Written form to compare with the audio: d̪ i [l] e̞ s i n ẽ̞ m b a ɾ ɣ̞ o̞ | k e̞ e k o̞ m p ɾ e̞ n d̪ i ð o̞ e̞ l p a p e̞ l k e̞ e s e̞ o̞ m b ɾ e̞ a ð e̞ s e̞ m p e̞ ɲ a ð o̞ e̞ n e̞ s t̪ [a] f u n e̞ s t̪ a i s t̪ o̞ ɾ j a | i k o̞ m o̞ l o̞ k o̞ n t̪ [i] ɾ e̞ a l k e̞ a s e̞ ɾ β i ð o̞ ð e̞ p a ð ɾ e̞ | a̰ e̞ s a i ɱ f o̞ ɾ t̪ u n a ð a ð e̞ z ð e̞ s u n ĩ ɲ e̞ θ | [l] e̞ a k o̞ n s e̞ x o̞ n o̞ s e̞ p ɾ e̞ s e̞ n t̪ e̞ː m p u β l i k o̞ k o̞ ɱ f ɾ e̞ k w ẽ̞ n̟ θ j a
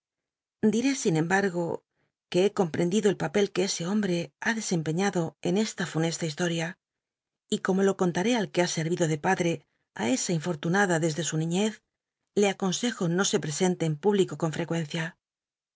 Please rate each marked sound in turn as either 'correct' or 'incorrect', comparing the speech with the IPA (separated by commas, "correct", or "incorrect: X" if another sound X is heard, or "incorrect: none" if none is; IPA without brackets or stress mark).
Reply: incorrect: ɾ, correct, incorrect: a, correct